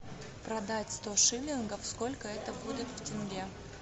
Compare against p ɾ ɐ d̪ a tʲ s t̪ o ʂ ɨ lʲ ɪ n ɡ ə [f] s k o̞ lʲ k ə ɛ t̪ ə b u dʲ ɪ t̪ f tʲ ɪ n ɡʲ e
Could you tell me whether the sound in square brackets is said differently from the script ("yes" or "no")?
no